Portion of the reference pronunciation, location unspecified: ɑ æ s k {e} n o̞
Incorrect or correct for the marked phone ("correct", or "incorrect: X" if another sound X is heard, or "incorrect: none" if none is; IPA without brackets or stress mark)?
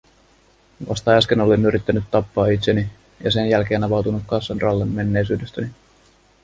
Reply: correct